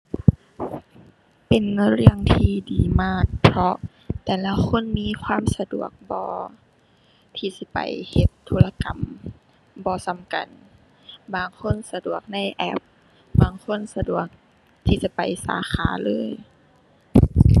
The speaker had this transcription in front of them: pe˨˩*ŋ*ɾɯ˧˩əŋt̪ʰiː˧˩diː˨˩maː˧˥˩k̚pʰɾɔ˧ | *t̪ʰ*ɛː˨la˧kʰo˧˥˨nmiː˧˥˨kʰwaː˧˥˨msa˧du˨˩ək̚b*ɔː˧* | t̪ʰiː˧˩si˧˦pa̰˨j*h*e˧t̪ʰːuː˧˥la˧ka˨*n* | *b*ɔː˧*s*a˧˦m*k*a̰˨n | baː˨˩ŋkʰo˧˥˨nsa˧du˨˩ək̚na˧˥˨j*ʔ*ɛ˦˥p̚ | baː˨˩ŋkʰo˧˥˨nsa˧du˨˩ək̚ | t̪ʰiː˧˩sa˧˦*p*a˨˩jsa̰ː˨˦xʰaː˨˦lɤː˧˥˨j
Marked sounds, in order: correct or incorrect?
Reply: incorrect, incorrect, correct, correct, incorrect, correct, correct, correct, correct, correct

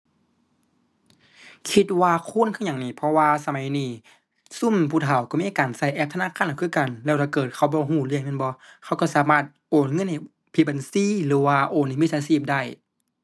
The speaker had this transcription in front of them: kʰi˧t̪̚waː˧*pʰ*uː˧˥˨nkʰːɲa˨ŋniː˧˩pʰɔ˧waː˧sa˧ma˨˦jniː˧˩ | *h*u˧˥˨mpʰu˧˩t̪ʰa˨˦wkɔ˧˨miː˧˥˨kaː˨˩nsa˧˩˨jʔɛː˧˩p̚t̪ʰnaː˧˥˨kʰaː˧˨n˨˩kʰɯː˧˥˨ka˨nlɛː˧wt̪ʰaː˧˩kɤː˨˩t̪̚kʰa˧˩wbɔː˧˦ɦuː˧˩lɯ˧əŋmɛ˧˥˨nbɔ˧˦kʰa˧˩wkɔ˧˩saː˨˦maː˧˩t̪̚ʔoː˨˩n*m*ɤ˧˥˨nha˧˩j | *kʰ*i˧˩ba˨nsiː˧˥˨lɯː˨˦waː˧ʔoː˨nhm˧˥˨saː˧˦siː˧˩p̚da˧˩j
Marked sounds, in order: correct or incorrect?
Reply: incorrect, incorrect, incorrect, incorrect

